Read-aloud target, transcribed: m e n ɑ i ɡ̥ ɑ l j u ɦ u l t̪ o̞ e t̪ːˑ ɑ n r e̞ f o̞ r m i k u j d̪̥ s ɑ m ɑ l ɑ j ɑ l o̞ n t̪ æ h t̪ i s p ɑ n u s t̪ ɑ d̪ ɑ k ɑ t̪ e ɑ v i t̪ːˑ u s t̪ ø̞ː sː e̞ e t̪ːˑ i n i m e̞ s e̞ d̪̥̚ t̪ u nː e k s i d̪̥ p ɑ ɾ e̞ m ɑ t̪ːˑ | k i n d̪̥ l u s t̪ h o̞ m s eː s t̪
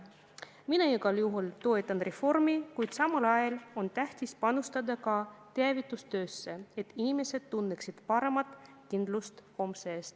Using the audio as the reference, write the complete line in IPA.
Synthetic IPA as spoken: m i n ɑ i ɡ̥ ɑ l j u ɦ u l t̪ o̞ e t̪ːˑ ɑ n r e̞ f o̞ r m i k u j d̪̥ s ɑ m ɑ l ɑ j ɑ l o̞ n t̪ æ h t̪ i s p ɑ n u s t̪ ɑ d̪ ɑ k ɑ t̪ e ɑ v i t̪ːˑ u s t̪ ø̞ː sː e̞ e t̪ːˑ i n i m e̞ s e̞ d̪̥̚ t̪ u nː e k s i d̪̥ p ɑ ɾ e̞ m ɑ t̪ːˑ | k i n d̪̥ l u s t̪ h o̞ m s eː s t̪